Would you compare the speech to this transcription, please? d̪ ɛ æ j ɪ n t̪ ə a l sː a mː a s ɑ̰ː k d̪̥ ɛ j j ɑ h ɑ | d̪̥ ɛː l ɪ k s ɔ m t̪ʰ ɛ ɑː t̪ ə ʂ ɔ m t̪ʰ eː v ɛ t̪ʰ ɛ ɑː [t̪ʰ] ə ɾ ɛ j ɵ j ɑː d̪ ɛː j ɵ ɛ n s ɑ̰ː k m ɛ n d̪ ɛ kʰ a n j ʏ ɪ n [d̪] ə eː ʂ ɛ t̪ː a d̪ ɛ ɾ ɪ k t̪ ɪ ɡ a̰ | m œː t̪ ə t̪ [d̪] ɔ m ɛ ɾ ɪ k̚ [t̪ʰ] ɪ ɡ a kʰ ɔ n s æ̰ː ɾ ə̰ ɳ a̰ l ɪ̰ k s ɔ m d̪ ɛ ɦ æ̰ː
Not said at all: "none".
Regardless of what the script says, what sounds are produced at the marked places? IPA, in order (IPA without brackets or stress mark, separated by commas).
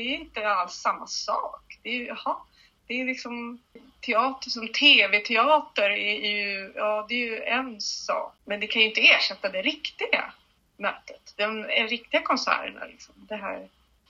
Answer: t̪, t̪, d̪, t̪